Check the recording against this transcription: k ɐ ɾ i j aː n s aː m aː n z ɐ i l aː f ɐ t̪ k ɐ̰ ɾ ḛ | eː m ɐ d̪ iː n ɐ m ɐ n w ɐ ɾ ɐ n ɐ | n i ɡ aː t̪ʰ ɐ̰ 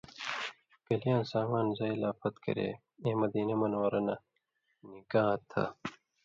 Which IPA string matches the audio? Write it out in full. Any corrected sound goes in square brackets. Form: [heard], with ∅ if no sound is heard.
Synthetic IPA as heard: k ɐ [l] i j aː n s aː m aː n z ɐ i l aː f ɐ t̪ k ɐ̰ ɾ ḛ | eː m ɐ d̪ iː n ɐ m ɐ n w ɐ ɾ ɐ n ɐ | n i ɡ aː t̪ʰ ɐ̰